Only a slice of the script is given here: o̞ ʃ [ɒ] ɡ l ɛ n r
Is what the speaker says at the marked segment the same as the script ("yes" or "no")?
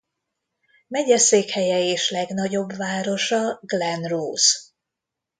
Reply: yes